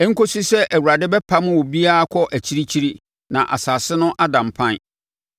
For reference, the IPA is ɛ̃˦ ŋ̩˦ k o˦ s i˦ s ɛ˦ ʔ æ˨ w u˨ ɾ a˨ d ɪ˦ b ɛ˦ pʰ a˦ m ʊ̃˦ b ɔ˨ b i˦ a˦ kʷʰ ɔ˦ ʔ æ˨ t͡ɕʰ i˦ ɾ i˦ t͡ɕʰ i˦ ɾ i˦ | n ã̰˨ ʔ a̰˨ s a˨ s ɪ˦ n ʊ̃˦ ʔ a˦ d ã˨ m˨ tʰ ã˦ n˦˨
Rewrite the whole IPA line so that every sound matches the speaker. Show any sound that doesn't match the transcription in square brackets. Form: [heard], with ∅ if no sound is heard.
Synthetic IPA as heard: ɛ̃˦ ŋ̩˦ k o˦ s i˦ s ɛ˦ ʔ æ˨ w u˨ ɾ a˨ d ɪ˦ b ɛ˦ pʰ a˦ m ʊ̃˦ [w] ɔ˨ b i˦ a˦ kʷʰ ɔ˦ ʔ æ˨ t͡ɕʰ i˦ ɾ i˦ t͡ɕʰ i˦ ɾ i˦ | n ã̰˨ ʔ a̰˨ s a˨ s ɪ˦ n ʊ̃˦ ʔ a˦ d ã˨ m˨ [pʰ] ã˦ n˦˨